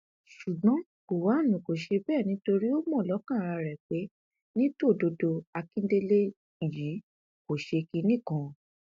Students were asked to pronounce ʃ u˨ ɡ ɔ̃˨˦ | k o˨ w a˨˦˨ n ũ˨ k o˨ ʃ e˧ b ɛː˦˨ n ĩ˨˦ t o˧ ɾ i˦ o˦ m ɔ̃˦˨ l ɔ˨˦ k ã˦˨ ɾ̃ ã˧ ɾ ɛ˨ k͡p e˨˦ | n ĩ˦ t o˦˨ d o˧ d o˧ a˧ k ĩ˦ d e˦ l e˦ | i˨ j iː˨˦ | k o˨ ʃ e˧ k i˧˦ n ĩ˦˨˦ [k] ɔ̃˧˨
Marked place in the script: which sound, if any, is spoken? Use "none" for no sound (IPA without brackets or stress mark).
k